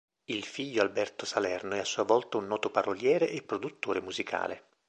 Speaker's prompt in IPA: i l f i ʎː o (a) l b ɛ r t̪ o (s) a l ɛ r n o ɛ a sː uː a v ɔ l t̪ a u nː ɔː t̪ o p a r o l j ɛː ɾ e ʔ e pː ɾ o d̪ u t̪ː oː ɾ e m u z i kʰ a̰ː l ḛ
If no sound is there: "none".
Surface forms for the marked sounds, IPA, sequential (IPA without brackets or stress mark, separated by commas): a, s